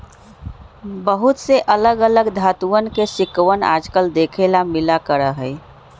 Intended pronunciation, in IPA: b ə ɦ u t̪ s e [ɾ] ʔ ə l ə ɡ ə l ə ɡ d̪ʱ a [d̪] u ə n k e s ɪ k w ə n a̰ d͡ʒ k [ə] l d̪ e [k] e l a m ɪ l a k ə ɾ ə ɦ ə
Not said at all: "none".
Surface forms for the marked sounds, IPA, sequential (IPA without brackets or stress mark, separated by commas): none, t̪, ə, kʰ